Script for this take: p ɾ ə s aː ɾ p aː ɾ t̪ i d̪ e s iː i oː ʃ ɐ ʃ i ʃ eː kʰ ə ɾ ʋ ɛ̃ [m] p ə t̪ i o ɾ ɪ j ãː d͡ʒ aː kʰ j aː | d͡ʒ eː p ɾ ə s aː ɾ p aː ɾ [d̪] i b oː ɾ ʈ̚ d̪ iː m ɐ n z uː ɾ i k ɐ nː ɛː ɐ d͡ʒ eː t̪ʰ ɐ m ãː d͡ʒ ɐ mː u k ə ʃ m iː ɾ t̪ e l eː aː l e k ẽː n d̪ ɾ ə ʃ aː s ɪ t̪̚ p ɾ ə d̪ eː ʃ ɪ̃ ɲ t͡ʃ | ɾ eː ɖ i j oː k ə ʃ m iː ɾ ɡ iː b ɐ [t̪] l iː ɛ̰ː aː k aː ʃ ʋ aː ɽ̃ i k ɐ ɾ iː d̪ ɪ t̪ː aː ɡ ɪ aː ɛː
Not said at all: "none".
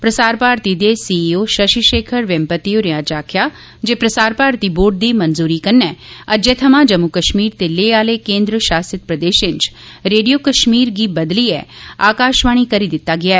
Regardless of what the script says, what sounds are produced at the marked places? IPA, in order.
m, t̪, d̪

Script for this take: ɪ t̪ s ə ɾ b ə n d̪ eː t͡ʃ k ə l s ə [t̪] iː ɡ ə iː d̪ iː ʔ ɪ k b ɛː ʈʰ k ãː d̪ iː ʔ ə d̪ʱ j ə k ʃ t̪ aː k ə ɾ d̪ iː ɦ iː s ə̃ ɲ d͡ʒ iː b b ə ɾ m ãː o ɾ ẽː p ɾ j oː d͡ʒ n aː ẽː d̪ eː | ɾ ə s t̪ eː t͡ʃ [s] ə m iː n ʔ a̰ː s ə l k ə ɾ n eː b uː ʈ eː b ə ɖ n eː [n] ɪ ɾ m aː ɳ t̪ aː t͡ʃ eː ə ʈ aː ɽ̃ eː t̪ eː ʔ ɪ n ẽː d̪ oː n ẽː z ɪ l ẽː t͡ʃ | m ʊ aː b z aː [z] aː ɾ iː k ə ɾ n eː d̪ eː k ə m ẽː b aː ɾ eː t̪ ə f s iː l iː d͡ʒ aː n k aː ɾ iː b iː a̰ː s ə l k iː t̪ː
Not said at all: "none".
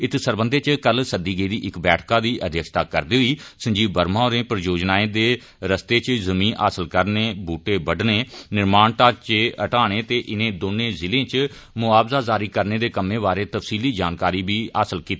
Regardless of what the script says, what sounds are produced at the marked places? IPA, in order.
d̪, z, n, z

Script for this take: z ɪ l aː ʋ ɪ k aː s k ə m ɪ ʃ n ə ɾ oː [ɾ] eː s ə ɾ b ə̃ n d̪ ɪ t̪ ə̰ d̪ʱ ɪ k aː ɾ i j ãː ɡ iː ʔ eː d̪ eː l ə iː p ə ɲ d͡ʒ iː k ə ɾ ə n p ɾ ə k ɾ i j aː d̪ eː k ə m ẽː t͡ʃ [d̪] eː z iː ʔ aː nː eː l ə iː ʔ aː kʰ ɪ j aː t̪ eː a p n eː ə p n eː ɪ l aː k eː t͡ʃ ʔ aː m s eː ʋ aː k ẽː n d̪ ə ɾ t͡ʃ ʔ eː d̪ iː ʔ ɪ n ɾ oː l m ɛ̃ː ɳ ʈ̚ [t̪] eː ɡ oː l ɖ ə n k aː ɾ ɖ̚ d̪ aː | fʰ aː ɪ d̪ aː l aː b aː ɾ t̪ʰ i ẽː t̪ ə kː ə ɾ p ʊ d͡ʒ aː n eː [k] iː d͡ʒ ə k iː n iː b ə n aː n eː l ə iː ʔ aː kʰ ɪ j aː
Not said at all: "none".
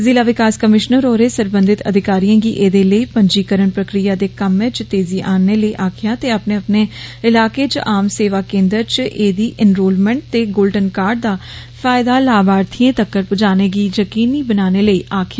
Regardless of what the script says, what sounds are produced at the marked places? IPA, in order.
ɾ, t̪, t̪, ɡ

